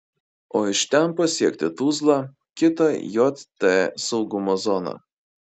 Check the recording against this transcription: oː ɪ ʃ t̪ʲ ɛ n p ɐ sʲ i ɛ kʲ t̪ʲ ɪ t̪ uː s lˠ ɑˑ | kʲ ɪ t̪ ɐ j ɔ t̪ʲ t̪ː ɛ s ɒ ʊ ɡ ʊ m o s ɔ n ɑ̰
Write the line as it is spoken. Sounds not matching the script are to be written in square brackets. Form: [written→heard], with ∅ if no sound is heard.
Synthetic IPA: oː ɪ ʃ t̪ʲ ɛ n p ɐ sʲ i ɛ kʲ t̪ʲ ɪ t̪ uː [s→z] lˠ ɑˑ | kʲ ɪ t̪ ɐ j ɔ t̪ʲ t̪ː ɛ s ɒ ʊ ɡ ʊ m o [s→z] ɔ n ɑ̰